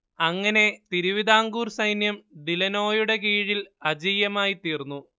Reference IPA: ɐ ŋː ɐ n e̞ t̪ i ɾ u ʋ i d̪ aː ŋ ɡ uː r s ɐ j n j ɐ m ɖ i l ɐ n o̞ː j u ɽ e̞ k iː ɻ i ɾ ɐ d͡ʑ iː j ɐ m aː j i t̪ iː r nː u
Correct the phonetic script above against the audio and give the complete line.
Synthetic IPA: ɐ ŋː ɐ n e̞ t̪ i ɾ u ʋ i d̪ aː ŋ ɡ uː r s ɐ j n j ɐ m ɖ i l ɐ n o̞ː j u ɽ e̞ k iː ɻ i l ɐ d͡ʑ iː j ɐ m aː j i t̪ iː r nː u